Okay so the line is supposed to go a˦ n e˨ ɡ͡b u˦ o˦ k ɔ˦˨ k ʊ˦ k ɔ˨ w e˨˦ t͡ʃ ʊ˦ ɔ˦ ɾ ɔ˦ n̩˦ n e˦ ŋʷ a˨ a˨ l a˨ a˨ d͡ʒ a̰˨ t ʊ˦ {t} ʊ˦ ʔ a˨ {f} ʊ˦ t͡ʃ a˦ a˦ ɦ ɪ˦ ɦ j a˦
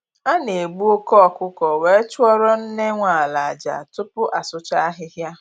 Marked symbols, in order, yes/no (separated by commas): no, no